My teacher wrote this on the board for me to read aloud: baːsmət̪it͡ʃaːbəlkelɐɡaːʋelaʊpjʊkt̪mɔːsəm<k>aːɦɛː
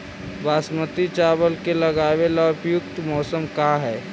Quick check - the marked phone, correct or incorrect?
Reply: correct